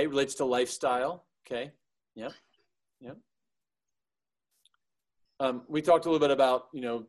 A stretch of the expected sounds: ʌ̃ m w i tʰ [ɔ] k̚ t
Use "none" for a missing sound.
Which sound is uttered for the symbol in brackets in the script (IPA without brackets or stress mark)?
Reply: ɔ